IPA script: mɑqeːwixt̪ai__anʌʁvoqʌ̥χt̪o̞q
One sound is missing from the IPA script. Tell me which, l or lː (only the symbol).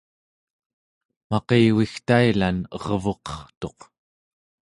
l